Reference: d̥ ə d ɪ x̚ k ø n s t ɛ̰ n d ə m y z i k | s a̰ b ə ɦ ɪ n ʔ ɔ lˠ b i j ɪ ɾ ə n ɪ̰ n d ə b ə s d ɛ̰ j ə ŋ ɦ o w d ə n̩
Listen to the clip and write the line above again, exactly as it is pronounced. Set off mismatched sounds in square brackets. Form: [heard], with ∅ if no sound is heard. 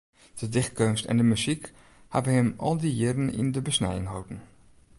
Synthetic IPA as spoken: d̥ ə d ɪ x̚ k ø n s t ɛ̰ n d ə m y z i k | [h] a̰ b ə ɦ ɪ [m] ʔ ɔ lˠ [d] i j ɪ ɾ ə n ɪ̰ n d ə b ə s [n] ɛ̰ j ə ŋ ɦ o w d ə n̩